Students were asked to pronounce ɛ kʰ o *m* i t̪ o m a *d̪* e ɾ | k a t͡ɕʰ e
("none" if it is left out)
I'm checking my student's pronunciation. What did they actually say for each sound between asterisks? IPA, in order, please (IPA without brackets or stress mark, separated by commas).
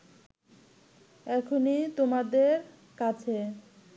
n, d̪